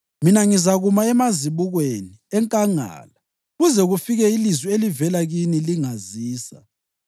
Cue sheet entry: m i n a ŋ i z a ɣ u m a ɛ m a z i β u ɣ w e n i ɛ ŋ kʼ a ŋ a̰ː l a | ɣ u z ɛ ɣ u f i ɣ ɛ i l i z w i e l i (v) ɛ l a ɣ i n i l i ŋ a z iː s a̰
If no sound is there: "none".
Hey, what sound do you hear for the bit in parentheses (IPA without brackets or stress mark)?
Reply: v